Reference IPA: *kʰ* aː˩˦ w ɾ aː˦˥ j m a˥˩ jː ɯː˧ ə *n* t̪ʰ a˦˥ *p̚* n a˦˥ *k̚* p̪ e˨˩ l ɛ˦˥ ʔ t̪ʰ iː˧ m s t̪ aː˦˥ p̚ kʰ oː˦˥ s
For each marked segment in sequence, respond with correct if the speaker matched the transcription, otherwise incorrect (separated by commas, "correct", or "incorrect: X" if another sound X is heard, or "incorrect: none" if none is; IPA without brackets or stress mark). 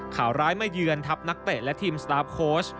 correct, correct, correct, correct